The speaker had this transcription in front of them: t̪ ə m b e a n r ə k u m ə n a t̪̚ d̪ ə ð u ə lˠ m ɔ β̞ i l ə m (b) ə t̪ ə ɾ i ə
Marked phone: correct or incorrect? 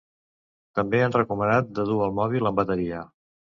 correct